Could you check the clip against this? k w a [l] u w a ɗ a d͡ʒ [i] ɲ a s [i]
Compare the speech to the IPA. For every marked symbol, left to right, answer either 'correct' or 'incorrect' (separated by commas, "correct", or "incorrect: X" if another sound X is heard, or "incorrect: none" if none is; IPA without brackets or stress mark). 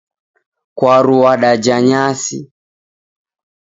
incorrect: ɾ, incorrect: a, correct